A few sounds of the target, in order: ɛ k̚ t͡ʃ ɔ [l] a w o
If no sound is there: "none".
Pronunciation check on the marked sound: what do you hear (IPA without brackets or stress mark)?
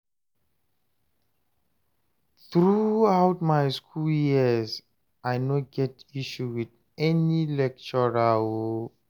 ɹ